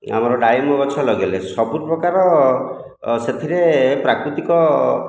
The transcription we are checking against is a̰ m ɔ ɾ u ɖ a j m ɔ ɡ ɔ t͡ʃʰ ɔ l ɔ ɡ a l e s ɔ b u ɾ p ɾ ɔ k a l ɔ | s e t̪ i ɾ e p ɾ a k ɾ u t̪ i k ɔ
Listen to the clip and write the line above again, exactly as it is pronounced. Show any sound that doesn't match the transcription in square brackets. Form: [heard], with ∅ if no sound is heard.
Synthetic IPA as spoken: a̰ m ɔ ɾ [ɔ] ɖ a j m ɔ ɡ ɔ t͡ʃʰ ɔ l ɔ ɡ [e] l e s ɔ b u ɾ p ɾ ɔ k a [ɾ] ɔ | s e [t̪ʰ] i ɾ e p ɾ a k ɾ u t̪ i k ɔ

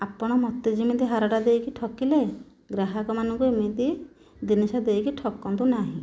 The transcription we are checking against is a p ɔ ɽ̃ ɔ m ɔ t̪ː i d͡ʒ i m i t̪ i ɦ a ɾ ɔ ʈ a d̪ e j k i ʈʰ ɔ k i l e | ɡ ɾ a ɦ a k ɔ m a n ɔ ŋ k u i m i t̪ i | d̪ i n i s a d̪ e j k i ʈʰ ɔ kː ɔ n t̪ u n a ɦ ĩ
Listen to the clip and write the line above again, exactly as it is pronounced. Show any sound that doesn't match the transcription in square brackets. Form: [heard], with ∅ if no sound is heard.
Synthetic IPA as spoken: a p ɔ ɽ̃ ɔ m ɔ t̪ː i d͡ʒ i m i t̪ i ɦ a ɾ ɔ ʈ a d̪ e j k i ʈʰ ɔ k i l e | ɡ ɾ a ɦ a k ɔ m a n ɔ ŋ k u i m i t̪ i | d̪ i n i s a d̪ e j k i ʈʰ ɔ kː ɔ n t̪ u n a ɦ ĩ

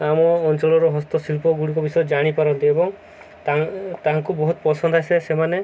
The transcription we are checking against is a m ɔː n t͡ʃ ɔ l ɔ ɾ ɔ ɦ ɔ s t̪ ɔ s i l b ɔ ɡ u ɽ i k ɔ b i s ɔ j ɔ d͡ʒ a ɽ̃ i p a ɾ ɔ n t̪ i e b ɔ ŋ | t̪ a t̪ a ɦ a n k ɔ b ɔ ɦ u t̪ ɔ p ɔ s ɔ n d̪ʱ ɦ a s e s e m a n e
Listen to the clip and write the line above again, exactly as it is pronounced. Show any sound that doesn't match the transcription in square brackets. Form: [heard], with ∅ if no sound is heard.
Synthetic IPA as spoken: a m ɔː n t͡ʃ ɔ l ɔ ɾ ɔ ɦ ɔ s t̪ ɔ s i l [p] ɔ ɡ u ɽ i k ɔ b i s ɔ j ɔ d͡ʒ a ɽ̃ i p a ɾ ɔ n t̪ i e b ɔ ŋ | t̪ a t̪ a ɦ a [ŋ] k [u] b ɔ ɦ u t̪ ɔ p ɔ s ɔ n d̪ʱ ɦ a s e s e m a n e

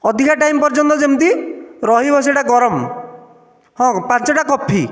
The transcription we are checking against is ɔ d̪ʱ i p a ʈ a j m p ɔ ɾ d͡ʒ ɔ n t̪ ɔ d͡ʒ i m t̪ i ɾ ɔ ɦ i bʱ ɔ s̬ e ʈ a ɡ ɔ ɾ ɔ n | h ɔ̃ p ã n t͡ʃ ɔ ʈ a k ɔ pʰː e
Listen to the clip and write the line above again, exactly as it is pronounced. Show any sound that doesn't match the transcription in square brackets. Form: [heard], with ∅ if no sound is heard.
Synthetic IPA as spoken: ɔ d̪ʱ i [k] a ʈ a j m p ɔ ɾ d͡ʒ ɔ n t̪ ɔ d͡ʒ [e] m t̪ i ɾ ɔ ɦ i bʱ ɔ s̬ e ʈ a ɡ ɔ ɾ ɔ [m] | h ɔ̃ p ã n t͡ʃ ɔ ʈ a k ɔ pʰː [i]

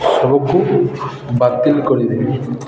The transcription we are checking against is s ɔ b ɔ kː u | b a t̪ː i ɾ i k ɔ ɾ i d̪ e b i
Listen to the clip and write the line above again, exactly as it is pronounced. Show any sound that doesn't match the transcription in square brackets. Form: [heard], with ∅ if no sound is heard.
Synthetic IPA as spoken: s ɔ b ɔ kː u | b a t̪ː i [l] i k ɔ ɾ i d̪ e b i

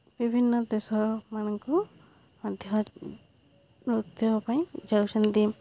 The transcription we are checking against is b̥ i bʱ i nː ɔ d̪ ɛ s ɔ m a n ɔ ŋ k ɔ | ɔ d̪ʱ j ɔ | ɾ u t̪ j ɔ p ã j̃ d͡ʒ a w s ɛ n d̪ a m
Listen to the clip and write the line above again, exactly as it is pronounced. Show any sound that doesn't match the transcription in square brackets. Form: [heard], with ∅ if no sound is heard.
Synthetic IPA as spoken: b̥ i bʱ i nː ɔ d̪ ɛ s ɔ m a n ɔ ŋ k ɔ | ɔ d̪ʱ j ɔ | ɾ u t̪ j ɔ p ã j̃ d͡ʒ a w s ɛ n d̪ [i] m

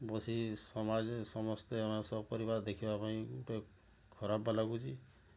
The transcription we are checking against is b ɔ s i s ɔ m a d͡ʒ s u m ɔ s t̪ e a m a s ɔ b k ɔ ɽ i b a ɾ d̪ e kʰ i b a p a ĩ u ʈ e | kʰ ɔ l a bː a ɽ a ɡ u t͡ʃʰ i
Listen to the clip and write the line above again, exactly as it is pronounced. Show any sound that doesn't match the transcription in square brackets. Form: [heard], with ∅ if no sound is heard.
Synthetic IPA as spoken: b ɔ s i s ɔ m a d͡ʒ s [ɔ] m ɔ s t̪ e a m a s ɔ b [p] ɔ [ɾ] i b a ɾ d̪ e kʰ i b a p a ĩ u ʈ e | kʰ ɔ [ɾ] a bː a [l] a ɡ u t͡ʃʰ i

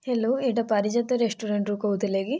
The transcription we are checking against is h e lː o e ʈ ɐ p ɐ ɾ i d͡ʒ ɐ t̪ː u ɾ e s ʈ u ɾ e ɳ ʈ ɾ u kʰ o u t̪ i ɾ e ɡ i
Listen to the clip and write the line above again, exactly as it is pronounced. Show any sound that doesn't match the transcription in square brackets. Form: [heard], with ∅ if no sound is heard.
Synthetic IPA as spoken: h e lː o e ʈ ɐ p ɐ ɾ i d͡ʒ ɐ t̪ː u ɾ e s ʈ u ɾ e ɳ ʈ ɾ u [k] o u t̪ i [l] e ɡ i

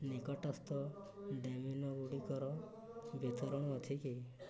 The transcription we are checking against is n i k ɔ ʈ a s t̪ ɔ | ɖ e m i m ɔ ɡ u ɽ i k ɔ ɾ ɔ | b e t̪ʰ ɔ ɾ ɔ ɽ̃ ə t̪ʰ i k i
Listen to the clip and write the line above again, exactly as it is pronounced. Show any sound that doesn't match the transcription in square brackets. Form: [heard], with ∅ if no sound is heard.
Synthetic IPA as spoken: n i k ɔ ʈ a s t̪ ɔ | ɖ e m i [n] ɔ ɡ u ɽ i k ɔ ɾ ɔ | b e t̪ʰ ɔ ɾ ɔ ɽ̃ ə t̪ʰ i k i

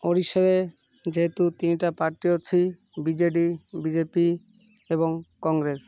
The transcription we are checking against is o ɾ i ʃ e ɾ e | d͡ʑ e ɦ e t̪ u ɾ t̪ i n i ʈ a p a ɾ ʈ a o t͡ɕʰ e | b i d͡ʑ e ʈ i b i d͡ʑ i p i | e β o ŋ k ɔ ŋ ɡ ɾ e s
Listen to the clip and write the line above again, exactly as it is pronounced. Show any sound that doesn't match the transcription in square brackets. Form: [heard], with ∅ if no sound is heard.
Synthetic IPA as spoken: o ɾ i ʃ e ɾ e | d͡ʑ e ɦ e t̪ u [∅] t̪ i n i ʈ a p a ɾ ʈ [i] o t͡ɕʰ [i] | b i d͡ʑ e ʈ i b i d͡ʑ [e] p i | e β o ŋ k ɔ ŋ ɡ ɾ e s

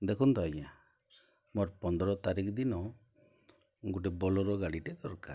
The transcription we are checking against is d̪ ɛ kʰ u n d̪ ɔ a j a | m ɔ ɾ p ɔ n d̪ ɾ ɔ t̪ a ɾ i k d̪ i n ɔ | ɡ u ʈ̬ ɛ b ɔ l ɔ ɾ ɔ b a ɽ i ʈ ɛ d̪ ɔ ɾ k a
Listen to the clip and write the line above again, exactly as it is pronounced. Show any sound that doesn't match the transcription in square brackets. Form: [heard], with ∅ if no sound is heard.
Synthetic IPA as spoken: d̪ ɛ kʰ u n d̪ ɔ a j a | m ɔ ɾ p ɔ n d̪ ɾ ɔ t̪ a ɾ i k d̪ i n ɔ | ɡ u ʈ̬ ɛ b ɔ l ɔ ɾ ɔ [ɡ] a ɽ i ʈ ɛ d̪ ɔ ɾ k a

